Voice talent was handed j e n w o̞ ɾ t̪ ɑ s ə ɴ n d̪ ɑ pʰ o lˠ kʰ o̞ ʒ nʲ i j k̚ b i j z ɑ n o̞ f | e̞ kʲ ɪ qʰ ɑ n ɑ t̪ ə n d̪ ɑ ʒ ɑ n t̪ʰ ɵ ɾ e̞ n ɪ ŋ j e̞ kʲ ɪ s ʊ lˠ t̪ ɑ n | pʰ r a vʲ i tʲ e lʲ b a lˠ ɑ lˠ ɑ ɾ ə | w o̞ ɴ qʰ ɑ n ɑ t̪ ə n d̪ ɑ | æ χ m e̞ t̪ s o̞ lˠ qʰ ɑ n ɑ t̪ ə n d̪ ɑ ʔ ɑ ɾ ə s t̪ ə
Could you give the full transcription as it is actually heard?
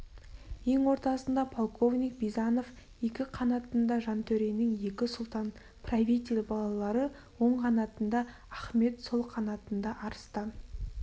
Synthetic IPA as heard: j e ŋ w o̞ ɾ t̪ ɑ s ə n d̪ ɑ pʰ o lˠ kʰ o̞ v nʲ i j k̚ b i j z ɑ n o̞ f | e̞ kʲ ɪ qʰ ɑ n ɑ t̪ ə n d̪ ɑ ʒ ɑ n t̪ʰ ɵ ɾ e̞ n ɪ ŋ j e̞ kʲ ɪ s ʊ lˠ t̪ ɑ n | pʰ r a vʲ i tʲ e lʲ b ɑ lˠ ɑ lˠ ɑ ɾ ə | w o̞ ɴ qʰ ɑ n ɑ t̪ ə n d̪ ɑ | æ χ m e̞ t̪ s o̞ lˠ qʰ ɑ n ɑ t̪ ə n d̪ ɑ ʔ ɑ ɾ ə s t̪ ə